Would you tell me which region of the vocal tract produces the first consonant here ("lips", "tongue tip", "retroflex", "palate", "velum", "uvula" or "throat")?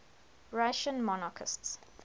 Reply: tongue tip